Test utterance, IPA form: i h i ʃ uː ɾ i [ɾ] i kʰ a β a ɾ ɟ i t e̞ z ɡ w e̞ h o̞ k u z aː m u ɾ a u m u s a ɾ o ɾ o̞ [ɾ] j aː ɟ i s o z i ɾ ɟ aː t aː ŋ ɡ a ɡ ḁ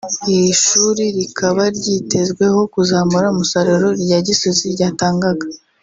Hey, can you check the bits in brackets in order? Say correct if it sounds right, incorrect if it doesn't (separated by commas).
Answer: correct, correct